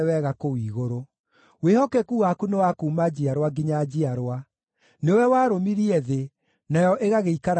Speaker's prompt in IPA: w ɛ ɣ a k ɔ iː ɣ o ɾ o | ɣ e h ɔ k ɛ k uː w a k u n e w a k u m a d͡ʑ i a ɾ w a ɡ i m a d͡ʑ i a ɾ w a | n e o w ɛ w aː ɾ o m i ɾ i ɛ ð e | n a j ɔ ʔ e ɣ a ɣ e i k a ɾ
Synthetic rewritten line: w ɛ ɣ a k o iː ɣ o ɾ o | w e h ɔ k ɛ k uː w a k u n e w a k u m a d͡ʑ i a ɾ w a ɡ i ɲ a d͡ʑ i a ɾ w a | n e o w ɛ w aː ɾ o m i ɾ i ɛ ð e | n a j ɔ ʔ e ɣ a ɣ e i k a ɾ